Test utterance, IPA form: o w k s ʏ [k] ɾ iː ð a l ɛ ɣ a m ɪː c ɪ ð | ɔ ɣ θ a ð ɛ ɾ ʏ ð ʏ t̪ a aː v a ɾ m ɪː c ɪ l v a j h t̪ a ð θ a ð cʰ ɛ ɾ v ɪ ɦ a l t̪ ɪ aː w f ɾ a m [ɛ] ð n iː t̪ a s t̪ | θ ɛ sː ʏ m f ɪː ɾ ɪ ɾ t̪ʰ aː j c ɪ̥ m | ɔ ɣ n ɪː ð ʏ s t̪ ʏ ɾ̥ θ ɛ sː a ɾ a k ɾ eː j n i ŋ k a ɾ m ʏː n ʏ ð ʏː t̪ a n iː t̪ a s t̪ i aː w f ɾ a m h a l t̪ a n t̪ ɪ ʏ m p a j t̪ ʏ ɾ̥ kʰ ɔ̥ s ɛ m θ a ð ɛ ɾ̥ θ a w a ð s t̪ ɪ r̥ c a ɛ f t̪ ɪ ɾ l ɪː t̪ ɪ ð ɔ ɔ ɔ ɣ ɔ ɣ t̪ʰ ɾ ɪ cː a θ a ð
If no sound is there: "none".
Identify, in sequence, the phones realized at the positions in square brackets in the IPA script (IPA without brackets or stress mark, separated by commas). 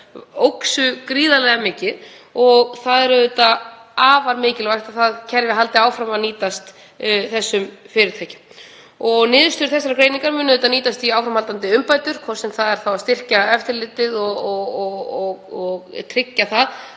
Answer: k, a